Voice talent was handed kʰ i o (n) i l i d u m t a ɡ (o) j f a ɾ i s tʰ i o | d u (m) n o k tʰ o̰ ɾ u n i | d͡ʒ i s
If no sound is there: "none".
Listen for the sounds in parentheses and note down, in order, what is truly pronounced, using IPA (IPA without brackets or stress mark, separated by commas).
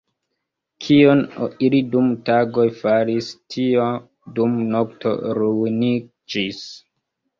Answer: n, o, m